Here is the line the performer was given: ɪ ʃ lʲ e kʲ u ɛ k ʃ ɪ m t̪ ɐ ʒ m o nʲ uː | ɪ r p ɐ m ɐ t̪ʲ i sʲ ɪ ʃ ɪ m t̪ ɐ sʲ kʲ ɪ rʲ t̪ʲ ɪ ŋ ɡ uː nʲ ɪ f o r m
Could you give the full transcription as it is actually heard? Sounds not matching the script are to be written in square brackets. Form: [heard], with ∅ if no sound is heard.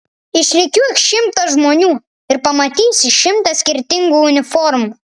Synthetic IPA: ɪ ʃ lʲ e kʲ u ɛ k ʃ ɪ m t̪ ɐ ʒ m o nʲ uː | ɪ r p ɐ m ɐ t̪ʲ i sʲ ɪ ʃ ɪ m t̪ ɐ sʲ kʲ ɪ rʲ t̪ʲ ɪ ŋ ɡ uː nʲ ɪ f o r m